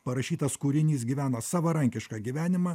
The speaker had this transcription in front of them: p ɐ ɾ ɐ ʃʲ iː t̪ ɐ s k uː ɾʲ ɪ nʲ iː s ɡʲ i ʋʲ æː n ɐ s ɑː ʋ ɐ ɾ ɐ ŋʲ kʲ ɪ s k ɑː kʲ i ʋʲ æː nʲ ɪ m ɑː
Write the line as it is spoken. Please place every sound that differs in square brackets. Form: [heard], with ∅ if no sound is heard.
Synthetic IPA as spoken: p ɐ ɾ ɐ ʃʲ iː t̪ ɐ s k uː ɾʲ ɪ nʲ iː s ɡʲ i ʋʲ æː n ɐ s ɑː ʋ ɐ ɾ ɐ ŋʲ kʲ ɪ [ʃ] k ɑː [ɡʲ] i ʋʲ æː nʲ ɪ m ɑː